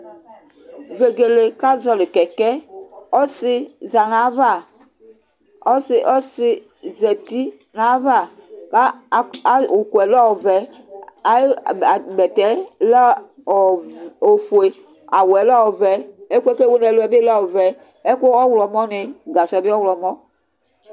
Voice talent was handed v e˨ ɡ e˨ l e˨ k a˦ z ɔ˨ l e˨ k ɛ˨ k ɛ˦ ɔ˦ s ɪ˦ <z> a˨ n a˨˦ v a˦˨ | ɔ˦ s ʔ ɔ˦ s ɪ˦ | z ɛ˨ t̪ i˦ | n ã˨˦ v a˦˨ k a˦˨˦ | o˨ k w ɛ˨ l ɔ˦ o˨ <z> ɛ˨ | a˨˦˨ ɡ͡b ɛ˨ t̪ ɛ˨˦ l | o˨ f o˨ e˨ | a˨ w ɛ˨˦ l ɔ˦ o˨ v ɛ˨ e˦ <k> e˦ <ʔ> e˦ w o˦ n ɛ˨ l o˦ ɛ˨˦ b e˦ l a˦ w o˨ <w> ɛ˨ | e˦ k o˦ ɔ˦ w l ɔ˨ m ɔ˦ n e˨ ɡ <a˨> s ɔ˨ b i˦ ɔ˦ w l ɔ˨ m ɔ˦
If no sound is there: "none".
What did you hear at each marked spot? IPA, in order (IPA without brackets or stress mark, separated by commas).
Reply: z, v, k, k, v, a˨